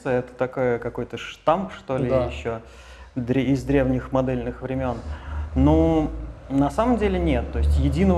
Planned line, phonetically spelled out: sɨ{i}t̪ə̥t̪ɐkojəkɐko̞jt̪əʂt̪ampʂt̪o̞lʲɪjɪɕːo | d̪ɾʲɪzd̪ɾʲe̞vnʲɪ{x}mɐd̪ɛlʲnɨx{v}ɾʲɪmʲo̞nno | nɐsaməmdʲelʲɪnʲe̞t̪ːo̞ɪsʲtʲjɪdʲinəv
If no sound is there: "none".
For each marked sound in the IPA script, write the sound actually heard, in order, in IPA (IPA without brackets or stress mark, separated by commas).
ɛ, x, v